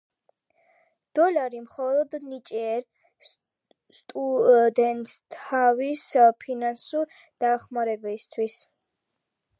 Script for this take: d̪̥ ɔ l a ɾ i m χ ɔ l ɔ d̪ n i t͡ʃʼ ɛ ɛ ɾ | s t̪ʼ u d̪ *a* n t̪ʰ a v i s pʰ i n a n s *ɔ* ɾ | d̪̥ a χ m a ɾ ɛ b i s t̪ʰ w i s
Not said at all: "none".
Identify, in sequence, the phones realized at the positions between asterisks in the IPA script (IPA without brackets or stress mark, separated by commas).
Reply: ɛ, u